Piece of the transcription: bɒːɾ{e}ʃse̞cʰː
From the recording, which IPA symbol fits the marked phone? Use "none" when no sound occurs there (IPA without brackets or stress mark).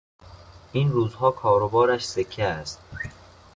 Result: æ